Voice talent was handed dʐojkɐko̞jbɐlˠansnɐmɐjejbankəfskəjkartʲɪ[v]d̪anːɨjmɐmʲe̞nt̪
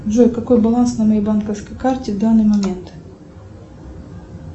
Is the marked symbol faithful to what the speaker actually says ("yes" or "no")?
yes